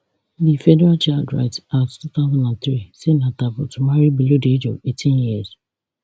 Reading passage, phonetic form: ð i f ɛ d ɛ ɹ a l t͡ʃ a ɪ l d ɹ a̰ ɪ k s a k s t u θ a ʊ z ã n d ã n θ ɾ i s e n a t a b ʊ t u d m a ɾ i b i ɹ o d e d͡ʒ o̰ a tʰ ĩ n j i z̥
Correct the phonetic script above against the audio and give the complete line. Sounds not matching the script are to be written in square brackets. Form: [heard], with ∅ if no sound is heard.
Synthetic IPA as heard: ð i f ɛ d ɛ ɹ a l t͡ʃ a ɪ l d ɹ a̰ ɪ [t] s a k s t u θ a ʊ z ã n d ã n θ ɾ i s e n a t a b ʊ t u [∅] m a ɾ i b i [l] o d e d͡ʒ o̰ [e] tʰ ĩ n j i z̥